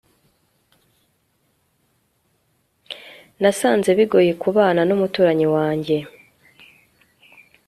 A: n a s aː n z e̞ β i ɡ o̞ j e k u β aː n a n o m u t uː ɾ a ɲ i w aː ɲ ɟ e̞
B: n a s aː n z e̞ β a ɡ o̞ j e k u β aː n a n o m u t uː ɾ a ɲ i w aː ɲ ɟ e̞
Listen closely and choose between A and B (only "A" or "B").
A